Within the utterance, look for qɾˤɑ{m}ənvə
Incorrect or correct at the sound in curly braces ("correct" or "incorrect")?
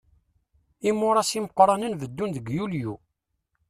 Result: incorrect